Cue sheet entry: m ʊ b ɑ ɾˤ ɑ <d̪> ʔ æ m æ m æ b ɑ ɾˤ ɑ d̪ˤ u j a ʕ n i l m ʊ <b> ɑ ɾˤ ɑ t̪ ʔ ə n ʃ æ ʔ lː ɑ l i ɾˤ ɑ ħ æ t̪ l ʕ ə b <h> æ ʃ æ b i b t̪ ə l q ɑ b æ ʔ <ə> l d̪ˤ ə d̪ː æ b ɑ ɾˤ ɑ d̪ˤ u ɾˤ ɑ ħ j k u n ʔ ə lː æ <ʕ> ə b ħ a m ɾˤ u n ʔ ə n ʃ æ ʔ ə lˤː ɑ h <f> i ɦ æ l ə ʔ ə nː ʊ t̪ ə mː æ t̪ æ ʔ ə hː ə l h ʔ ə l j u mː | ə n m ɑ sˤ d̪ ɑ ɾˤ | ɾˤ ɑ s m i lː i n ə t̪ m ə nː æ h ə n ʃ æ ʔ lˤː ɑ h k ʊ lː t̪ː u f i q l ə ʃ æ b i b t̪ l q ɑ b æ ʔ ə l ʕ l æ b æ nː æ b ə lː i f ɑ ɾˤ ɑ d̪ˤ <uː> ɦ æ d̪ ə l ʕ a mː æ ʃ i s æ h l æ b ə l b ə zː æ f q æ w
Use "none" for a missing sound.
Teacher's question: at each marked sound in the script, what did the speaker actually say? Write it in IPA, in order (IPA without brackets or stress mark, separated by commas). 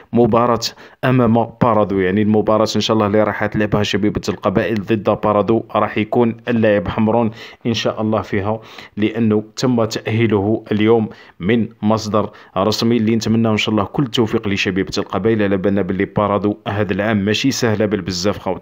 t̪, b, h, ə, ʕ, f, u